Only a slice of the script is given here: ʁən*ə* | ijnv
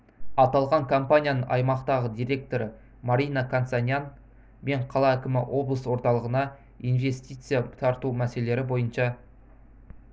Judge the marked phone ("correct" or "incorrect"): incorrect